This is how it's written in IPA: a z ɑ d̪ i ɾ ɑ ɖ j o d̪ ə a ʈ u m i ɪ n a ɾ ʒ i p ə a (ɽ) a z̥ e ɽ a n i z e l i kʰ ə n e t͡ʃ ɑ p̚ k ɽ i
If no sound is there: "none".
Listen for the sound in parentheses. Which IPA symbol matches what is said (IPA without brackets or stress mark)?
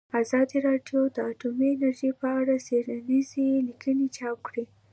ɽ